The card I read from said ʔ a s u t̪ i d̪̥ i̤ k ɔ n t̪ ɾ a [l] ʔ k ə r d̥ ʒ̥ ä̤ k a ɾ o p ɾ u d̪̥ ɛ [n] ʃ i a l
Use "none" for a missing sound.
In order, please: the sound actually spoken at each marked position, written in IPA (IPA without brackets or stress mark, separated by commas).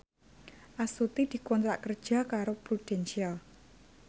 none, n